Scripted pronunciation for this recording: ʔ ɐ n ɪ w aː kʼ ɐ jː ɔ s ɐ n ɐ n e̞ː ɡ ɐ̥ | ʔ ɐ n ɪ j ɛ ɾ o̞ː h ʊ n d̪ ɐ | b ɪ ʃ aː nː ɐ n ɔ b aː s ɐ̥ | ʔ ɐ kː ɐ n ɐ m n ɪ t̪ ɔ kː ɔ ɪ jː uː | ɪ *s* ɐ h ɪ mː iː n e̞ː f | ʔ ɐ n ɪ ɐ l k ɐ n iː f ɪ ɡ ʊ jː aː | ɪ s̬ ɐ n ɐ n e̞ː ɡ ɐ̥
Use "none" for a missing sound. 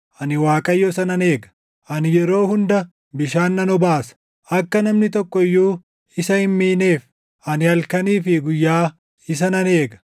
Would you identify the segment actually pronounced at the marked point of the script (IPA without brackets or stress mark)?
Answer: s